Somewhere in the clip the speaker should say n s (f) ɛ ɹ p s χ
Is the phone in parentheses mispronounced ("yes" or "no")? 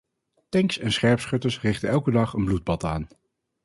yes